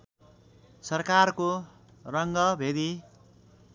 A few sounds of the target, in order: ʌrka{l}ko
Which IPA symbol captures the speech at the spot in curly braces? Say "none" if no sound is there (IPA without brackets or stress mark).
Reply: r